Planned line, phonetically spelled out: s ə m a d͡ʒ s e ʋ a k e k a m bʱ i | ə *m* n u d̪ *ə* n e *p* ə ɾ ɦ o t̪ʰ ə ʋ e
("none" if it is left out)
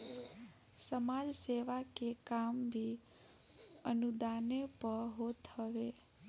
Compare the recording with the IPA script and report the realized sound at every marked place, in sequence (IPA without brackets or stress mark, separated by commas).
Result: none, a, p